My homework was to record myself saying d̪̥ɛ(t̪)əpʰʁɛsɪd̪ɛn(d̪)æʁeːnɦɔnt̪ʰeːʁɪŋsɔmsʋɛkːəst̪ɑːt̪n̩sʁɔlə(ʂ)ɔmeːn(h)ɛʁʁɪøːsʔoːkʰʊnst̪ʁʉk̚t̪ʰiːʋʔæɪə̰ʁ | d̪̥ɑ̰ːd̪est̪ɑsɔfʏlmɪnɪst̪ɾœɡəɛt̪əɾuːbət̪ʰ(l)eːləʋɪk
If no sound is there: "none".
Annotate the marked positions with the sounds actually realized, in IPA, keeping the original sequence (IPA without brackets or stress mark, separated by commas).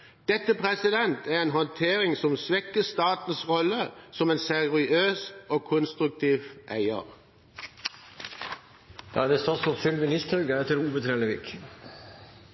t̪, t̪, s, s, ɾ